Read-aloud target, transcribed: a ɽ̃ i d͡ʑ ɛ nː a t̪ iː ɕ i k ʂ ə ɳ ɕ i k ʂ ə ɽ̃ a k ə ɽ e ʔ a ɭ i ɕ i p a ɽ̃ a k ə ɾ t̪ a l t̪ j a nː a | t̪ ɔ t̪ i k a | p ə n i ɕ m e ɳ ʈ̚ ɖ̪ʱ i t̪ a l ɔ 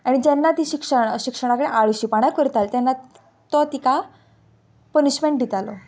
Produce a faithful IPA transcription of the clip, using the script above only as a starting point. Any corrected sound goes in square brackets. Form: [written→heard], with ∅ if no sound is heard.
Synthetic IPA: a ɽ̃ i d͡ʑ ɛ nː a t̪ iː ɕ i k ʂ ə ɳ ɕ i k ʂ ə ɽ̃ a k ə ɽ e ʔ a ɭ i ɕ i p a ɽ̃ a k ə ɾ t̪ a l t̪ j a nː a | t̪ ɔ t̪ i k a | p ə n i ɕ m e ɳ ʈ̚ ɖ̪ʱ i t̪ a l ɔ

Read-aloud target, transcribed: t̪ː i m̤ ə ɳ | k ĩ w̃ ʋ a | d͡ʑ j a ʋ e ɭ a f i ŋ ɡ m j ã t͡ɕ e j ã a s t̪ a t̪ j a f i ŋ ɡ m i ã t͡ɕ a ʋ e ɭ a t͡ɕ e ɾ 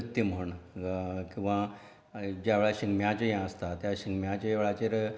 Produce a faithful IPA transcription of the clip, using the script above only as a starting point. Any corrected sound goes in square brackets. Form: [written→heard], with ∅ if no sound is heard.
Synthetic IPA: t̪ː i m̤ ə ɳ | k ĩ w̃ ʋ a | d͡ʑ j a ʋ e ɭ a [f→ɕ] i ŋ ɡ m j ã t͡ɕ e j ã [a→ə] s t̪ a t̪ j a [f→ɕ] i ŋ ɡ m [i→j] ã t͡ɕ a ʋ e ɭ a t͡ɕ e ɾ

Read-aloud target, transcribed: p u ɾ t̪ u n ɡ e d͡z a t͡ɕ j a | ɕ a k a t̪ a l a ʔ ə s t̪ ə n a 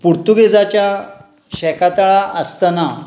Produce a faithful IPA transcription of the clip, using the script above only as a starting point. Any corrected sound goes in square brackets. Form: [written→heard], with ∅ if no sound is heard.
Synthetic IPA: p u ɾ t̪ u [n→∅] ɡ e d͡z a t͡ɕ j a | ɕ [a→ɛ] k a t̪ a [l→ɭ] a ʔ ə s t̪ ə n a

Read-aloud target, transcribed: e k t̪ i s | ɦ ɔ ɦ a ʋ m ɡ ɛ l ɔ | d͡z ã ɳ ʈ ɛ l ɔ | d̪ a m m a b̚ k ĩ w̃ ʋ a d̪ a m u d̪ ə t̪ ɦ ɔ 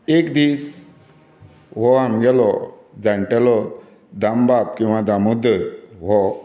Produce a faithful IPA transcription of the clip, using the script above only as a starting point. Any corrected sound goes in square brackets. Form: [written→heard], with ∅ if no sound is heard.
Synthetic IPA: e k [t̪→d̪] i s | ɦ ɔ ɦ a [ʋ→∅] m ɡ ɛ l ɔ | d͡z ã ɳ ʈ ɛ l ɔ | d̪ a m [m→b] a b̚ k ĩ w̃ ʋ a d̪ a m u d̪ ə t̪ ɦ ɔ

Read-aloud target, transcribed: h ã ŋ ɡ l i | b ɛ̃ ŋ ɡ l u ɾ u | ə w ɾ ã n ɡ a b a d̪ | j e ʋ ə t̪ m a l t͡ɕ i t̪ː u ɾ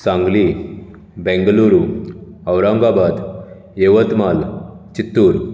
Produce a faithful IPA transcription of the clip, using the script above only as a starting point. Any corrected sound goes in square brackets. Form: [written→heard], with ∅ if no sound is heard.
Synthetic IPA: [h→s] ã ŋ ɡ l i | b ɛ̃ ŋ ɡ l u ɾ u | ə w ɾ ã [n→ŋ] ɡ a b a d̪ | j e ʋ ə t̪ m a l t͡ɕ i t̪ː u ɾ

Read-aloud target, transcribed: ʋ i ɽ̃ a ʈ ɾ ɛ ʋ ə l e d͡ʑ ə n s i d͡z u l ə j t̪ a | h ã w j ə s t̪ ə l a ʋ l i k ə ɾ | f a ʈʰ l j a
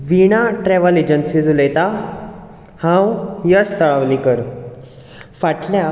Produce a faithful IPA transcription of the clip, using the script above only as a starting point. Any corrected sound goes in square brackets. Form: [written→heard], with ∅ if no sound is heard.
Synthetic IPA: ʋ i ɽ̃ a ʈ ɾ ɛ ʋ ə l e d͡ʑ ə n s i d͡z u l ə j t̪ a | h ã w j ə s t̪ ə [l→ɭ] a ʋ l i k ə ɾ | f a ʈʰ l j a

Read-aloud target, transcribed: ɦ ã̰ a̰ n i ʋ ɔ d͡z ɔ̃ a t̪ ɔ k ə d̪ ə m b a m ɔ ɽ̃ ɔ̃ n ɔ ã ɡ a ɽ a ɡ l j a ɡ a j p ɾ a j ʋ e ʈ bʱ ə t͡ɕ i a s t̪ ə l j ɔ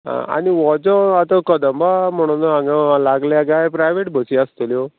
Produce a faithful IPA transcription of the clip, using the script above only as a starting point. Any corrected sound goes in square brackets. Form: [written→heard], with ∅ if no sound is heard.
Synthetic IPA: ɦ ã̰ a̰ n i ʋ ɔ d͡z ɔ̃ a t̪ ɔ k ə d̪ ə m b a m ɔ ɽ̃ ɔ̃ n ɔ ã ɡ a [ɽ→l] a ɡ l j a ɡ a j p ɾ a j ʋ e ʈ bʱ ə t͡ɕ i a s t̪ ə l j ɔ

